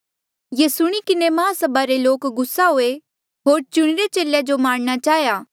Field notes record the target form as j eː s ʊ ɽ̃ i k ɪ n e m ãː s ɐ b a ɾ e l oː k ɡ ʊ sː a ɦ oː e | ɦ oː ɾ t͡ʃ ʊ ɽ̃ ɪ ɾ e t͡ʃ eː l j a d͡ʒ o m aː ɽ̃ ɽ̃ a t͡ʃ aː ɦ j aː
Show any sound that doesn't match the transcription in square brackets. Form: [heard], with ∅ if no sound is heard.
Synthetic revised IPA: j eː s ʊ ɽ̃ i k ɪ n e m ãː s ɐ b a ɾ e l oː k ɡ ʊ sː a ɦ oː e | ɦ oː ɾ t͡ʃ ʊ ɽ̃ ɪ ɾ e t͡ʃ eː l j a d͡ʒ o m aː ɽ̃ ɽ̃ a t͡ʃ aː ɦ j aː